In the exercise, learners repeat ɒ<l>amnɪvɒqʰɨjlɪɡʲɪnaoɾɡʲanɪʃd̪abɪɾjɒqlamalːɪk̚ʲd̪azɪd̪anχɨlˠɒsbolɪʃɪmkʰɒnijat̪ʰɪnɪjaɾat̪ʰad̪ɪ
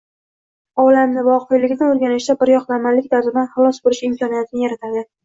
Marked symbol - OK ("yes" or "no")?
yes